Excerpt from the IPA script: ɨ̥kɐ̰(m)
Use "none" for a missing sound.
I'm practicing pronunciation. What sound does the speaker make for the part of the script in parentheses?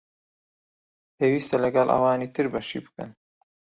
n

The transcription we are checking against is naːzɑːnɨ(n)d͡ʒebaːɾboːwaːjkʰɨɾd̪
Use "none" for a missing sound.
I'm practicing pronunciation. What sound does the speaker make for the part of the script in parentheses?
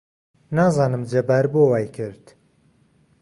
m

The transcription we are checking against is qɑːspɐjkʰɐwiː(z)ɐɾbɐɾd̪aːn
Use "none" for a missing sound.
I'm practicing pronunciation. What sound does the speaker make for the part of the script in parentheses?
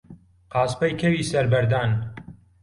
s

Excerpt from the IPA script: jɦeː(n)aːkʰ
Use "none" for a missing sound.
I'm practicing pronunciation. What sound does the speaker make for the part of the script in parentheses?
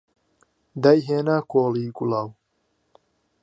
n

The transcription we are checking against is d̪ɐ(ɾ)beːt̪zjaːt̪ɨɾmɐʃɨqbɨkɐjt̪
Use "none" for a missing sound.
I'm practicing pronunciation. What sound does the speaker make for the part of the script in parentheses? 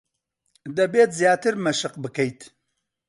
none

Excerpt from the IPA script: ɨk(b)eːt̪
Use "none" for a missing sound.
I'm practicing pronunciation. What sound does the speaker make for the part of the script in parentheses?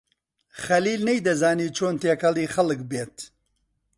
b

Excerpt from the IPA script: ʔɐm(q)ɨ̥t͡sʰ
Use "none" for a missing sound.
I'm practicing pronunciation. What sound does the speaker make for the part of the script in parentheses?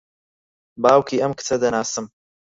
k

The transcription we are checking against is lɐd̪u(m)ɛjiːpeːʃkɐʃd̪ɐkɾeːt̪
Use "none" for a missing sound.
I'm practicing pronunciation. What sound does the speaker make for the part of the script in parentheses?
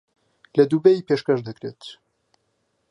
b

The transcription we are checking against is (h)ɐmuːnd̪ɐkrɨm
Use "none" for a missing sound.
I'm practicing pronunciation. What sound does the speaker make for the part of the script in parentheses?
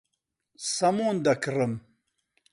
s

